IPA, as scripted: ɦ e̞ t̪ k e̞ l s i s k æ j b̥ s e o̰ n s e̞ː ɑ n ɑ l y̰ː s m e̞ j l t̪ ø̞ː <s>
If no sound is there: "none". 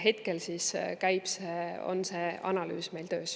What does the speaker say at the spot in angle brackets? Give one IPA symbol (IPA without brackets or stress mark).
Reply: s